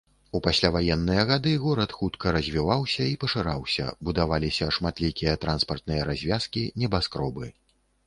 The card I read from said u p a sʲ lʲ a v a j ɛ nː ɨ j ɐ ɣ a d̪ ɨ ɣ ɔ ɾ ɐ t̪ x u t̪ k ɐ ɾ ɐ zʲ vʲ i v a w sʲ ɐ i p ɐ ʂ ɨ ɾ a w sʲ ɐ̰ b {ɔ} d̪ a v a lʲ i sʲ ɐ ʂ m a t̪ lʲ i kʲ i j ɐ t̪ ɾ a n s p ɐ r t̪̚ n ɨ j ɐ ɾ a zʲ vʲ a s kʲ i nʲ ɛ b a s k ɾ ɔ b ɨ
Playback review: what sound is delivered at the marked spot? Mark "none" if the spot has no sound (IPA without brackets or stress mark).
u